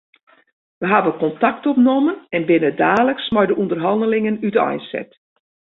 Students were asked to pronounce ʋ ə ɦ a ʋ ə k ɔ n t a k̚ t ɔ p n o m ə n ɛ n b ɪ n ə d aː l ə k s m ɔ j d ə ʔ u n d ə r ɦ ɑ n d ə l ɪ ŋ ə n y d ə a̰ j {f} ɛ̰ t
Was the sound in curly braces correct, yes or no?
no